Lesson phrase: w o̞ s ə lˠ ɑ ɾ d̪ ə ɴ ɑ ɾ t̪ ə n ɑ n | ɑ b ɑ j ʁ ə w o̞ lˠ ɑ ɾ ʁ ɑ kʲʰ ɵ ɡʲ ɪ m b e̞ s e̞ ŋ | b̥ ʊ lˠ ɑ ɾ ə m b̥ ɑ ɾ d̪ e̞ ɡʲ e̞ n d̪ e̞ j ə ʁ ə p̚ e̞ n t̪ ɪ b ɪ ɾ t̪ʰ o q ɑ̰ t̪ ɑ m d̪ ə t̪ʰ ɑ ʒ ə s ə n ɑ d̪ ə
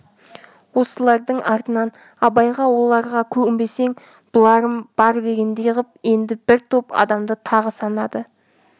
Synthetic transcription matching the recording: w o̞ s ə lˠ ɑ ɾ d̪ ə ɴ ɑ ɾ t̪ ə n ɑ n | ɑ b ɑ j ʁ ɑ w o̞ lˠ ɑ ɾ ʁ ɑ kʲʰ ɵ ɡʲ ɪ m b e̞ s e̞ ŋ | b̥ ʊ lˠ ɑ ɾ ə m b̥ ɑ ɾ d̪ e̞ ɡʲ e̞ n d̪ e̞ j ə ʁ ə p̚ e̞ n d̪ ɪ b ɪ ɾ t̪ʰ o p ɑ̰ d̪ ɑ m d̪ ə t̪ʰ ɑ ʁ ə s ɑ n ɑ d̪ ə